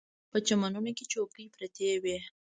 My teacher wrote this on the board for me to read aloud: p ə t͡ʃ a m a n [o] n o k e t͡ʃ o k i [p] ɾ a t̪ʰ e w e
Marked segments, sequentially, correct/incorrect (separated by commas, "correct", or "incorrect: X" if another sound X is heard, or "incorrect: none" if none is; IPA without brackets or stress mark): incorrect: u, correct